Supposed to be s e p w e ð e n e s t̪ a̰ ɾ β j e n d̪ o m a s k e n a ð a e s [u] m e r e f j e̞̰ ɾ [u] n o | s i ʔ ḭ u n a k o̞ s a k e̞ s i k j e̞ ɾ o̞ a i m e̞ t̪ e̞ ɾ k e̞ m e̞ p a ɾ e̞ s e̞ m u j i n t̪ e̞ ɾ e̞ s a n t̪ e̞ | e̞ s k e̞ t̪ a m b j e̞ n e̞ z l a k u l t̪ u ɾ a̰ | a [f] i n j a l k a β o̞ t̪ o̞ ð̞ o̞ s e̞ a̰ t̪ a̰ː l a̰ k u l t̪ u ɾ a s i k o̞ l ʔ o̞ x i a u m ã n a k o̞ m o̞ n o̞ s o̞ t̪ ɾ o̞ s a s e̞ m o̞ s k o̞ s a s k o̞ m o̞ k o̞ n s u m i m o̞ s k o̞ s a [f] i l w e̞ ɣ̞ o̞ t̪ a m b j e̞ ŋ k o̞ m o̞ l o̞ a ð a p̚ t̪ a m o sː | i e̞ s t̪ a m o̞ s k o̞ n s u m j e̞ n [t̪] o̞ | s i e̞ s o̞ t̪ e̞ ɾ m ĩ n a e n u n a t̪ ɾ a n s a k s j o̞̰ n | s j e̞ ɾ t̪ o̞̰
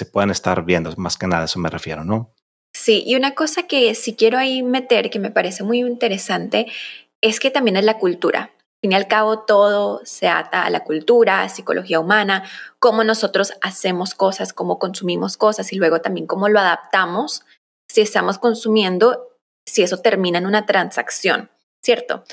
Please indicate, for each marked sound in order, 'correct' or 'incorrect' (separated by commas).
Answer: incorrect, incorrect, correct, incorrect, incorrect